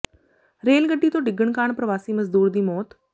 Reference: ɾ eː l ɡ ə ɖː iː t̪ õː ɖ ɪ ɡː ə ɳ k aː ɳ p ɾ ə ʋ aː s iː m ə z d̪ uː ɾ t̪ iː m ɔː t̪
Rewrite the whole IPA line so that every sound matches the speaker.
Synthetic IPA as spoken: ɾ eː l ɡ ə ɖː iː t̪ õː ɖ ɪ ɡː ə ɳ k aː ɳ p ɾ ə ʋ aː s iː m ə z d̪ uː ɾ d̪ iː m ɔː t̪

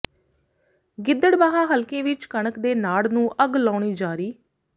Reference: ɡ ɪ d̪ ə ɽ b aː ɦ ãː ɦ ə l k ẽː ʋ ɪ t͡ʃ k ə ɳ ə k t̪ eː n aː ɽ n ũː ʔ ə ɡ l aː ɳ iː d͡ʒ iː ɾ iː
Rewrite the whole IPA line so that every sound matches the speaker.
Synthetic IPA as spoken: ɡ ɪ d̪ ə ɽ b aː ɦ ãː ɦ ə l k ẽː ʋ ɪ t͡ʃ k ə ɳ ə k d̪ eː n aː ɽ n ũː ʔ ə ɡ l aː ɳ iː d͡ʒ aː ɾ iː

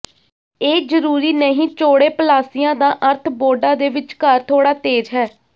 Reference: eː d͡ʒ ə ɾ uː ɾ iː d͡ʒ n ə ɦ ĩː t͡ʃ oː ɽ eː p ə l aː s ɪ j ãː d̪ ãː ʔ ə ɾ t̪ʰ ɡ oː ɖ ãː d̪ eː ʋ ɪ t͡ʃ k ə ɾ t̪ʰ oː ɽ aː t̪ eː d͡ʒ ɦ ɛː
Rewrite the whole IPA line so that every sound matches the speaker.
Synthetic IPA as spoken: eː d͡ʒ ə ɾ uː ɾ iː n ə ɦ ĩː t͡ʃ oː ɽ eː p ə l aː s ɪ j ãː d̪ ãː ʔ ə ɾ t̪ʰ b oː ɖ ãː d̪ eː ʋ ɪ t͡ʃ k ə ɾ t̪ʰ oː ɽ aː t̪ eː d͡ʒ ɦ ɛː

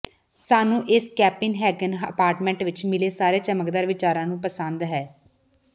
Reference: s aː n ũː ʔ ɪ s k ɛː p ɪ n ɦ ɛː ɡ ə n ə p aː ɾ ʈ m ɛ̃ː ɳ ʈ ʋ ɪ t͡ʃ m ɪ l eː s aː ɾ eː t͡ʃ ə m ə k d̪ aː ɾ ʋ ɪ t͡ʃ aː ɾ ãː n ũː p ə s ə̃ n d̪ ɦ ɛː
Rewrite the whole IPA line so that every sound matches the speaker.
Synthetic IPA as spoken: s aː n ũː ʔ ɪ s k ɛː p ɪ n ɦ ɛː ɡ ə n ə p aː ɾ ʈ m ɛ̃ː ɳ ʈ ʋ ɪ t͡ʃ m ɪ l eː s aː ɾ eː t͡ʃ ə m ə k d̪ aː ɾ ʋ ɪ t͡ʃ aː ɾ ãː n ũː p ə s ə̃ n d̪ ɦ ɛː

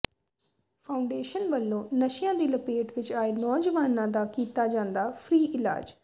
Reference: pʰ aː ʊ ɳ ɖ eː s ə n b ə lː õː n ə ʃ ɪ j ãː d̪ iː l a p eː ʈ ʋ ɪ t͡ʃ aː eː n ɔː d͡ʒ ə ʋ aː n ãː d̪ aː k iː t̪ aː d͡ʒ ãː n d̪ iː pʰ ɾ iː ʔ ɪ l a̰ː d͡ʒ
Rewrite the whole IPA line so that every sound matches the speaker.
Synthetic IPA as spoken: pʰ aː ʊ ɳ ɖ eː ʃ ə n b ə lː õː n ə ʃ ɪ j ãː d̪ iː l ə p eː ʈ ʋ ɪ t͡ʃ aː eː n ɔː d͡ʒ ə ʋ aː n ãː d̪ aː k iː t̪ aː d͡ʒ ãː n d̪ aː pʰ ɾ iː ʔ ɪ l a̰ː d͡ʒ

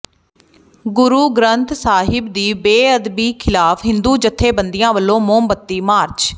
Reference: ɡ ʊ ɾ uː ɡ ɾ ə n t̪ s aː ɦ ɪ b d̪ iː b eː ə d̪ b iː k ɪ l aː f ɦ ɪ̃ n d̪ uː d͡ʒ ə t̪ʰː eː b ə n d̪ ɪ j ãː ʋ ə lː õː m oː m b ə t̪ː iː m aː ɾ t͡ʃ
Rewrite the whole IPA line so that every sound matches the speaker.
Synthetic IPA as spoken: ɡ ʊ ɾ uː ɡ ɾ ə n t̪ s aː ɦ ɪ b d̪ iː b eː ə d̪ b iː kʰ ɪ l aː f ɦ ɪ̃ n d̪ uː d͡ʒ ə t̪ʰː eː b ə n d̪ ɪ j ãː ʋ ə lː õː m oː m b ə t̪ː iː m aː ɾ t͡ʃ

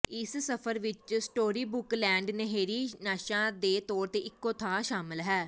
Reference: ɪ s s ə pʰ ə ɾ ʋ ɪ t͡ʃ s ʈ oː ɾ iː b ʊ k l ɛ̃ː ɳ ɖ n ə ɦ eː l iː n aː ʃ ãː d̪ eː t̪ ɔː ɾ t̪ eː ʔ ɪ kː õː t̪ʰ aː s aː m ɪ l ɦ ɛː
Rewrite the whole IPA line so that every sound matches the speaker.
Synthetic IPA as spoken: ɪ s s ə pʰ ə ɾ ʋ ɪ t͡ʃ s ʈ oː ɾ iː b ʊ k l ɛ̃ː ɳ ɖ n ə ɦ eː ɾ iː n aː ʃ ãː d̪ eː t̪ ɔː ɾ t̪ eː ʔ ɪ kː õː t̪ʰ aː ʃ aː m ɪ l ɦ ɛː

